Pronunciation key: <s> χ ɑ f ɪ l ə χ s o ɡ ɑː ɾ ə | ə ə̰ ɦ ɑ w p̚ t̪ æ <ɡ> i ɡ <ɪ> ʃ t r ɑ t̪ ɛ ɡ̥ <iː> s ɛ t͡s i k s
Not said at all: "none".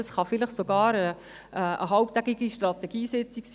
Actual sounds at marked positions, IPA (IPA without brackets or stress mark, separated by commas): s, ɡ, i, iː